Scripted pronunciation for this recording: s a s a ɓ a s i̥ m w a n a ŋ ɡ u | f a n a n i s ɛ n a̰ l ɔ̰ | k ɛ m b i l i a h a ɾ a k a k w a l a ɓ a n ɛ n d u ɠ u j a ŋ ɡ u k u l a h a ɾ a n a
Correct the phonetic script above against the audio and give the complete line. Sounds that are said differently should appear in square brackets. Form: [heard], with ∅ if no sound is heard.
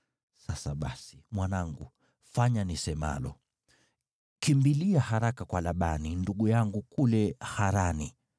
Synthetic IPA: s a s a ɓ a s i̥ m w a n a ŋ ɡ u | f a [ɲ] a n i s ɛ [m] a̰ l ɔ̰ | k [i] m b i l i a h a ɾ a k a k w a l a ɓ a n [i] n d u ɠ u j a ŋ ɡ u k u l [ɛ] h a ɾ a n [i]